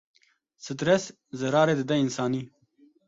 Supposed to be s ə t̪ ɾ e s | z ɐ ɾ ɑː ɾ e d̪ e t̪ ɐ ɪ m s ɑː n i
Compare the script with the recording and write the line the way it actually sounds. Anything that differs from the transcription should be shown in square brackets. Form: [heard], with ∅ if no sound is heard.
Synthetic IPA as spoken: s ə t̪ ɾ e s | z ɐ ɾ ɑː ɾ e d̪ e [d̪] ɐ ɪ [n] s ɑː n i